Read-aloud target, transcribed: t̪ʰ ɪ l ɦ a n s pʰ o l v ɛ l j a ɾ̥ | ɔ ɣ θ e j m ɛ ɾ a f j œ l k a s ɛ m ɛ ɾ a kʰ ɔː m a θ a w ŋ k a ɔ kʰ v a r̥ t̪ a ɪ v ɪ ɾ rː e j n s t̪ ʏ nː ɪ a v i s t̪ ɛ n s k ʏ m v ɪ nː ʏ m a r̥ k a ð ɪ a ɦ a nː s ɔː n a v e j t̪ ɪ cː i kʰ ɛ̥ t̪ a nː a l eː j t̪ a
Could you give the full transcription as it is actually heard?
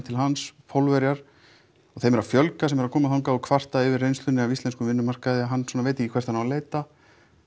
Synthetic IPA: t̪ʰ ɪ l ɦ a n s pʰ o l v ɛ ɾ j a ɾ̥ | ɔ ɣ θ e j m ɛ ɾ a f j œ l k a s ɛ m ɛ ɾ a kʰ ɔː m a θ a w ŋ k a ɔ kʰ v a r̥ t̪ a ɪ v ɪ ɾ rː e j n s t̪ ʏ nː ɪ a v i s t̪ ɛ n s k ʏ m v ɪ nː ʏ m a r̥ k a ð ɪ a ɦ a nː s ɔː n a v e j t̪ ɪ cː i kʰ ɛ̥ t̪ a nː a l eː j t̪ a